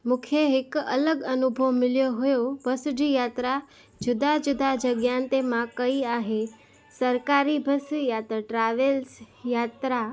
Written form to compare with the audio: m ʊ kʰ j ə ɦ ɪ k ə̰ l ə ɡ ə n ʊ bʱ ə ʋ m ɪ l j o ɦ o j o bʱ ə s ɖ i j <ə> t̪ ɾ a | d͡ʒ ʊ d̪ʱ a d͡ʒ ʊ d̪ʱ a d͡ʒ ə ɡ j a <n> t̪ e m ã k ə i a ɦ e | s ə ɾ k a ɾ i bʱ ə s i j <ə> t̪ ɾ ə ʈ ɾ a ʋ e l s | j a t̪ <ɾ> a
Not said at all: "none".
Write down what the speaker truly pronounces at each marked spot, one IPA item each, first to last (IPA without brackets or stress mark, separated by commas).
a, n, a, ɾ